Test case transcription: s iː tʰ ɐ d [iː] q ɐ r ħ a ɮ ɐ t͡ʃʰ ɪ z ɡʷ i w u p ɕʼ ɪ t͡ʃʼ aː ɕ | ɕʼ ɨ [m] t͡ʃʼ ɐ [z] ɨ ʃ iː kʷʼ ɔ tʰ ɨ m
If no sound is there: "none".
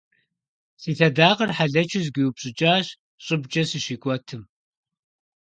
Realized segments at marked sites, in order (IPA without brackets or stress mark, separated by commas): aː, b, s